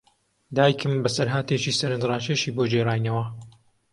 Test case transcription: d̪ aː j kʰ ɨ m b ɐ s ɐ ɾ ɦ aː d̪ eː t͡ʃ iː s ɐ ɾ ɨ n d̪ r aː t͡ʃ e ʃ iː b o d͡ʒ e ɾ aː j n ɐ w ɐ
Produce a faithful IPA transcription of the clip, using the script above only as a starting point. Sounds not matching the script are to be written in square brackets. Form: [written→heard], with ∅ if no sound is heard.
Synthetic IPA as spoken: d̪ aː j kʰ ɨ m b ɐ s ɐ ɾ ɦ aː [d̪→t̪] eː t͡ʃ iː s ɐ ɾ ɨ n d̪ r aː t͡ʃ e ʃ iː b o d͡ʒ e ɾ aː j n ɐ w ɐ